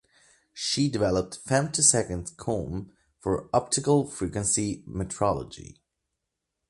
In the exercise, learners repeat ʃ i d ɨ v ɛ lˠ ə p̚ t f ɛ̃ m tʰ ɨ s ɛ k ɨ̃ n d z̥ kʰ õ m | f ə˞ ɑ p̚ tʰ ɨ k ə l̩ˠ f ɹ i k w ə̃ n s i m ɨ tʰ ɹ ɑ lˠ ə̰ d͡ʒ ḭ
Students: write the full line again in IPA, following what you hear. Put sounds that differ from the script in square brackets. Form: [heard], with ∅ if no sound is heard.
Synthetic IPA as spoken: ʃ i d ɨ v ɛ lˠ ə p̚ t f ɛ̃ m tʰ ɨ s ɛ k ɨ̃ n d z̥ kʰ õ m | f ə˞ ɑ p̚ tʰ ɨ k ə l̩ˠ f ɹ i k w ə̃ n s i m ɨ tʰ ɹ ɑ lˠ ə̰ d͡ʒ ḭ

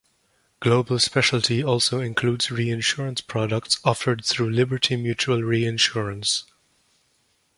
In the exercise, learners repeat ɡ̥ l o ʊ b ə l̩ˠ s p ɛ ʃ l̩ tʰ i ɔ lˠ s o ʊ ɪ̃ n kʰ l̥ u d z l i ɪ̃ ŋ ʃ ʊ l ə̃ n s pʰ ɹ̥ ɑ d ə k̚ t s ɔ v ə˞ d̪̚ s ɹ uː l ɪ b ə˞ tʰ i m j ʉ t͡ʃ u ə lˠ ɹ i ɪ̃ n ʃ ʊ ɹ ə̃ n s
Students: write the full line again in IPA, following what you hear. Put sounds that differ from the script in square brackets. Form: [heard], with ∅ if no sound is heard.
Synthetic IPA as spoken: ɡ̥ l o ʊ b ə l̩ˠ s p ɛ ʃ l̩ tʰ i ɔ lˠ s o ʊ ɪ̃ n kʰ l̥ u d z [ɹ] i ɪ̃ [n] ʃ ʊ [ɹ] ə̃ n s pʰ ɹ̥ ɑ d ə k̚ t s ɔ [f] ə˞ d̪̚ [θ] ɹ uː l ɪ b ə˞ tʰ i m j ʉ t͡ʃ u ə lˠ ɹ i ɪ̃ n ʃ ʊ ɹ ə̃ n s

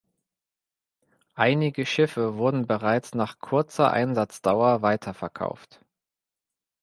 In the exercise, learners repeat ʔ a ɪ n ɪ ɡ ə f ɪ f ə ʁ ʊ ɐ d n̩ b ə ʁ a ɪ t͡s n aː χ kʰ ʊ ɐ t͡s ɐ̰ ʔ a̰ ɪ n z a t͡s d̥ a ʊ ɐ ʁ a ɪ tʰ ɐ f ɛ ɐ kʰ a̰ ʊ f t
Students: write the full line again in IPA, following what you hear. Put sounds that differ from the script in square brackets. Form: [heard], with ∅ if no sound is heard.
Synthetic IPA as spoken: ʔ a ɪ n ɪ ɡ ə [ʃ] ɪ f ə [v] ʊ ɐ d n̩ b ə ʁ a ɪ t͡s n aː χ kʰ ʊ ɐ t͡s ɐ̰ ʔ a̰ ɪ n z a t͡s d̥ a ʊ ɐ [v] a ɪ tʰ ɐ f ɛ ɐ kʰ a̰ ʊ f t

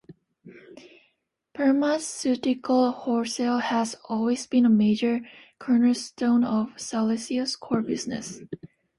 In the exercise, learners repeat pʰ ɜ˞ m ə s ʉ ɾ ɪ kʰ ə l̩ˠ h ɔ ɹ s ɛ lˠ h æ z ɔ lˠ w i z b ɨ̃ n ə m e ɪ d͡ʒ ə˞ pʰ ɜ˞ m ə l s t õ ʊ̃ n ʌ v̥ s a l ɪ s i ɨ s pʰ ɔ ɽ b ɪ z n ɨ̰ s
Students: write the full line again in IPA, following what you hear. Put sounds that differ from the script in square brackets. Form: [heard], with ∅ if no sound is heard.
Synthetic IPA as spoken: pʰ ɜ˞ m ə s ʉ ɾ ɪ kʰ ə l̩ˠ h ɔ ɹ s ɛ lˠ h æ z ɔ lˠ w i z b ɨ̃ n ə m e ɪ d͡ʒ ə˞ [kʰ] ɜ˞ [n] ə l s t õ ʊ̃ n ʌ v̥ s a l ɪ s i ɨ s [kʰ] ɔ [ɹ] b ɪ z n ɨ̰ s

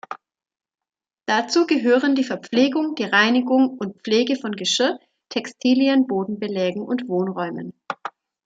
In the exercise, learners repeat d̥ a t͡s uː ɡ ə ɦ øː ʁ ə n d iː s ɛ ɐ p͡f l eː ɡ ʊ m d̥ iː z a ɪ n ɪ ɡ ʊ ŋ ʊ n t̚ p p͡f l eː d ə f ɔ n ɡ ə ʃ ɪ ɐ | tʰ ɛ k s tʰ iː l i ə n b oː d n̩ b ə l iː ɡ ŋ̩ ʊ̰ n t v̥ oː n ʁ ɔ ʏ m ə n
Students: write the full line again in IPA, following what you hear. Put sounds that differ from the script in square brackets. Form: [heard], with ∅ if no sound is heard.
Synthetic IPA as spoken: d̥ a t͡s uː ɡ ə ɦ øː ʁ ə n d iː [f] ɛ ɐ p͡f l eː ɡ ʊ [ŋ] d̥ iː [ʁ] a ɪ n ɪ ɡ ʊ ŋ ʊ n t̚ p p͡f l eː [ɡ] ə f ɔ n ɡ ə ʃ ɪ ɐ | tʰ ɛ k s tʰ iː l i ə n b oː d n̩ b ə l [ɛː] ɡ ŋ̩ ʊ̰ n t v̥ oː n ʁ ɔ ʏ m ə n

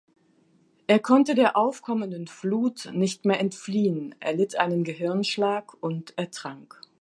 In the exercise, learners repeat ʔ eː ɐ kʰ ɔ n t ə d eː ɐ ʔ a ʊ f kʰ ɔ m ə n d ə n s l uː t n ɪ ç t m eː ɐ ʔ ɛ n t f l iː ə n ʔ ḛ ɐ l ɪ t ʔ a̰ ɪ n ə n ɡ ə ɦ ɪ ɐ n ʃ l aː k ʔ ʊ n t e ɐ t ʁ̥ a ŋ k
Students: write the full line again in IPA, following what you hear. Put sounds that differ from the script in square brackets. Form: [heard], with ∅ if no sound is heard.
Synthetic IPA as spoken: ʔ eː ɐ kʰ ɔ n t ə d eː ɐ ʔ a ʊ f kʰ ɔ m ə n d ə n [f] l uː t n ɪ ç t m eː ɐ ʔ ɛ n t f l iː ə n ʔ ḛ ɐ l ɪ t ʔ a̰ ɪ n ə n ɡ ə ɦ ɪ ɐ n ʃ l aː k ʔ ʊ n t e ɐ t ʁ̥ a ŋ k

